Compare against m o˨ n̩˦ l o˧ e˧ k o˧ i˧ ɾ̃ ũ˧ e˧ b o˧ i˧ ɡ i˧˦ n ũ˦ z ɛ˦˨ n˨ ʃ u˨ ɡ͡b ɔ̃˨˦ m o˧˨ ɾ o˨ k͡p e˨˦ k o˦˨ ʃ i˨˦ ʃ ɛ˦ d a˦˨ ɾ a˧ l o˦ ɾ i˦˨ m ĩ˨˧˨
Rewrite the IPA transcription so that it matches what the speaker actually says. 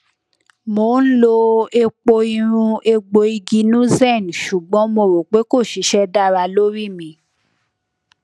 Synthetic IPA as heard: m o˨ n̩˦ l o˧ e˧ k͡p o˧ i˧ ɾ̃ ũ˧ e˧ ɡ͡b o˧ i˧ ɡ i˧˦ n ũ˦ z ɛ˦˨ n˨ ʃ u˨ ɡ͡b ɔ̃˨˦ m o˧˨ ɾ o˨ k͡p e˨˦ k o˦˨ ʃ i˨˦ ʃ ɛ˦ d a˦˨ ɾ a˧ l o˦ ɾ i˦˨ m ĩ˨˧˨